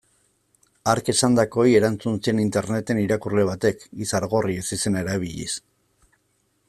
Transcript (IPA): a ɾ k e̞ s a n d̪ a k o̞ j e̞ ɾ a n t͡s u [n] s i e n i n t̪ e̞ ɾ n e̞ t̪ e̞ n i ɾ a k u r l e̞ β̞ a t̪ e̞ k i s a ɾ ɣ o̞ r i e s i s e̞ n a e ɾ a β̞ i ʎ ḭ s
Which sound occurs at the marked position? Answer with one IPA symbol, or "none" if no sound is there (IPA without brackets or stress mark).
n